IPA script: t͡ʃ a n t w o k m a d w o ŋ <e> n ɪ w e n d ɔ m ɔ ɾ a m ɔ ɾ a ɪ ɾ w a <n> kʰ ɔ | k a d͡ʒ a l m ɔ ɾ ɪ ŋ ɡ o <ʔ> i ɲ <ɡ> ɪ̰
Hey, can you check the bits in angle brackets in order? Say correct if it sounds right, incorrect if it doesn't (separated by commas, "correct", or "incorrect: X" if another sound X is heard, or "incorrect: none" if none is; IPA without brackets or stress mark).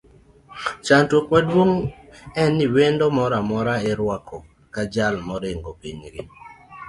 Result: incorrect: ɛ, incorrect: none, incorrect: p, correct